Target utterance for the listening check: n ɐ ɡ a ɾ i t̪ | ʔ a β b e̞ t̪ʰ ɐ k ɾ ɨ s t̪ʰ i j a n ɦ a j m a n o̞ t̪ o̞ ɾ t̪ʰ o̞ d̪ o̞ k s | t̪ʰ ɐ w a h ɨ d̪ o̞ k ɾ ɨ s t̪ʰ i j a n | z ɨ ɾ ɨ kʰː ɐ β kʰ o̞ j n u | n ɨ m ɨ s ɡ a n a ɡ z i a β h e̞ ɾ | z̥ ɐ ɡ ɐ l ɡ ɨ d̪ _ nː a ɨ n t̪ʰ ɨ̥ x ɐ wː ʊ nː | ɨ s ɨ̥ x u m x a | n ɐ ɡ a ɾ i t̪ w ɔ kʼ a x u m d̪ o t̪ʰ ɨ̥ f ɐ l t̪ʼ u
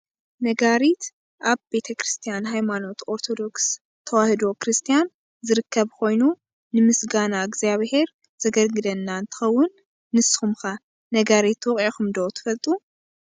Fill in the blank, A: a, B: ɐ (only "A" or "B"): B